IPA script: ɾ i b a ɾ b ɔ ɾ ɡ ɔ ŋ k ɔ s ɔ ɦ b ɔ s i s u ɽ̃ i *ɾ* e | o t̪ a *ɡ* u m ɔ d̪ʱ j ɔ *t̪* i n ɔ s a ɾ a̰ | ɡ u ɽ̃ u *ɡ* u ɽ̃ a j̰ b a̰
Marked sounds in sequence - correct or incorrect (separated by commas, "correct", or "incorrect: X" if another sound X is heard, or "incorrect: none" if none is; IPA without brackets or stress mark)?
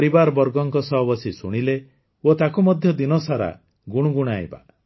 incorrect: l, incorrect: k, incorrect: d̪, correct